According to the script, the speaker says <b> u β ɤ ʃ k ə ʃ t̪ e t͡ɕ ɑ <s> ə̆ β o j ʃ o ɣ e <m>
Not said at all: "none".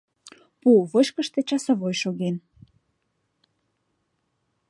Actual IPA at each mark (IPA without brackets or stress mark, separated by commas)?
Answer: p, s, n